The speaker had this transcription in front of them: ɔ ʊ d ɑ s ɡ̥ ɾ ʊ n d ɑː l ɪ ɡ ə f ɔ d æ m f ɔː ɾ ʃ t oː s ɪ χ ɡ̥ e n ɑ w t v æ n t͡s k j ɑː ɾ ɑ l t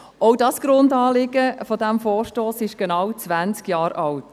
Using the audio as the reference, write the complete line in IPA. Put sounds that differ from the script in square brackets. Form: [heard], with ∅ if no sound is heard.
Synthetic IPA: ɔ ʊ d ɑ s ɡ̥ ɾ ʊ n d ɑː l ɪ ɡ ə f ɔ d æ m f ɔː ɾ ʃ t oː s ɪ [ʃ] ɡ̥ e n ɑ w [t͡s] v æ n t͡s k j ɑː ɾ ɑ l t